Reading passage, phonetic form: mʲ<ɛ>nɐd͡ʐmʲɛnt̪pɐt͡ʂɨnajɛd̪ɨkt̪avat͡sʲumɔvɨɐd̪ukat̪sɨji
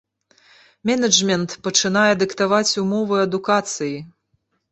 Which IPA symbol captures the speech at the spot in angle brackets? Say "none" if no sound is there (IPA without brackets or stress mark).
ɛ